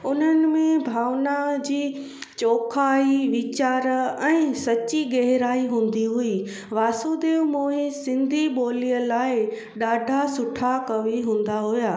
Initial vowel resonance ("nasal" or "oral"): oral